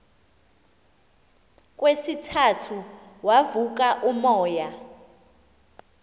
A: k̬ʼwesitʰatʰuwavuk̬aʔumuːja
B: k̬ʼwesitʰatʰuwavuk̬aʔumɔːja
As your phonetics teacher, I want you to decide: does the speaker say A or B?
B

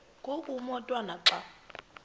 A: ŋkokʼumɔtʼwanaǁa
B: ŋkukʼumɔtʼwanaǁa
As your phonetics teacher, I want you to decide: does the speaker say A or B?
A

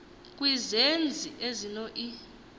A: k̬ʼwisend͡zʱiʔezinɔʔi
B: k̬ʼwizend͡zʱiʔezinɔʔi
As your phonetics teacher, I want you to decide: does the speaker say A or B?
B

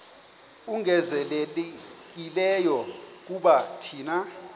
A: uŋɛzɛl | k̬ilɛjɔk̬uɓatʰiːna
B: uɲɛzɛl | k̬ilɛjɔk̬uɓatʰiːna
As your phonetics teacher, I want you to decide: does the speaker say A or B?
A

